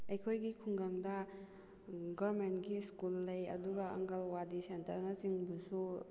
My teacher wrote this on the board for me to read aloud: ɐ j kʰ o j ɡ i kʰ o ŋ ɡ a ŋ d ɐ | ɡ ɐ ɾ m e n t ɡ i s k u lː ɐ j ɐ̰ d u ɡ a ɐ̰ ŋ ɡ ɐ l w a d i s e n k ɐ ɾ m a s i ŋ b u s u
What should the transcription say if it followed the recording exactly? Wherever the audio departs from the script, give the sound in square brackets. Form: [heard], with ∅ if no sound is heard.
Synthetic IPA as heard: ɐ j kʰ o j ɡ i kʰ [u] ŋ ɡ a ŋ d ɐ | ɡ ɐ ɾ m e n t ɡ i s k u lː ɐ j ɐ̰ d u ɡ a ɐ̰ ŋ ɡ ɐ l w a d i s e n [t] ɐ ɾ [n] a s i ŋ b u s u